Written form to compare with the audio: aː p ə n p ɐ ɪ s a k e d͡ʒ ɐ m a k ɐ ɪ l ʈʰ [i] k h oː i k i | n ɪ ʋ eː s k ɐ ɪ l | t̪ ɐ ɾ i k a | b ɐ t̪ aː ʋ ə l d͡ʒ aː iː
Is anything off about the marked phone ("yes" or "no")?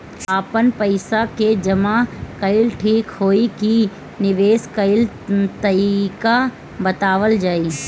yes